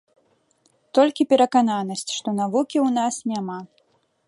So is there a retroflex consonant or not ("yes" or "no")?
yes